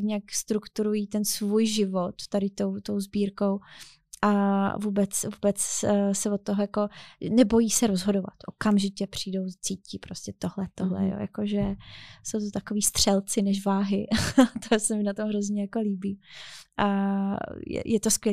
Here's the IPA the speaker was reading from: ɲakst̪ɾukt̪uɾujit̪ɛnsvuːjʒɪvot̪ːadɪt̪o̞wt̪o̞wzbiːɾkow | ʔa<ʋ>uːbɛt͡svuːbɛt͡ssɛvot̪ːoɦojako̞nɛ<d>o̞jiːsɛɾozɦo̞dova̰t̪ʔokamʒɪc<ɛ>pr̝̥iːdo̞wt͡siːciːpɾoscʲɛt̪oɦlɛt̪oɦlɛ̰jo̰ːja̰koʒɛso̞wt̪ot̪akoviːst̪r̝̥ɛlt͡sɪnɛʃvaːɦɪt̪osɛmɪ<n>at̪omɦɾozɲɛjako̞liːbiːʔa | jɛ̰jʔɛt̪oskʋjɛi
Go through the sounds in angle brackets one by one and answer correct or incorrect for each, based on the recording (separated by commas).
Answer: incorrect, incorrect, correct, correct